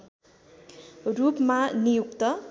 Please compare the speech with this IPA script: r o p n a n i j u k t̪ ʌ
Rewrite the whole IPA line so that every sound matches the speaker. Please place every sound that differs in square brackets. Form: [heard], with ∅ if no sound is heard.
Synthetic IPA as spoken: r [u] p [m] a n i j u k t̪ ʌ